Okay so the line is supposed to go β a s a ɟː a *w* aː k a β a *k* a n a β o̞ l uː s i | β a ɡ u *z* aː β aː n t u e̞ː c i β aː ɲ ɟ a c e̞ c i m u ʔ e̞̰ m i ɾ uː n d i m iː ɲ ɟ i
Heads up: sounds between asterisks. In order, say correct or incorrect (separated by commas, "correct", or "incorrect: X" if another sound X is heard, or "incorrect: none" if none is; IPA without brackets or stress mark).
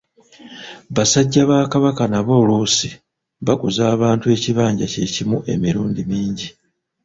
incorrect: β, correct, correct